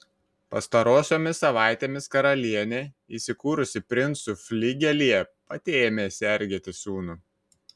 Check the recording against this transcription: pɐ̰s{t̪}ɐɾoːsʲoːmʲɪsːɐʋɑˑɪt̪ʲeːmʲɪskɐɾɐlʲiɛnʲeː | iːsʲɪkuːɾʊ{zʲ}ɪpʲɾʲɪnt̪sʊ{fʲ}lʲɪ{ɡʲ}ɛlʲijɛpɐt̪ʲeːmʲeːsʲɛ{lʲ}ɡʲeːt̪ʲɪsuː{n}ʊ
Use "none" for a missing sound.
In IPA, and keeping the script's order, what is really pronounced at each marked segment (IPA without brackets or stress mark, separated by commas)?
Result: t̪, sʲ, fʲ, ɡʲ, ɾʲ, n